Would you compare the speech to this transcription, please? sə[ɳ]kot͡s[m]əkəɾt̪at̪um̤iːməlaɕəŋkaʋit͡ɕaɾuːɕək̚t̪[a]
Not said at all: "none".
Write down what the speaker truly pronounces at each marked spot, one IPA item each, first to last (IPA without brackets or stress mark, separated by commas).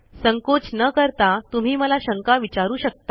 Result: ŋ, n, a